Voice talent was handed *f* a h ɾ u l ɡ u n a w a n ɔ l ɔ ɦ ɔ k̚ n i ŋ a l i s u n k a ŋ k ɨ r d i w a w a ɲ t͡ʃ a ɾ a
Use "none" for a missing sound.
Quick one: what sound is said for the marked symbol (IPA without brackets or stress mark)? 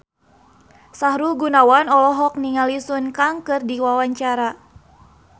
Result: s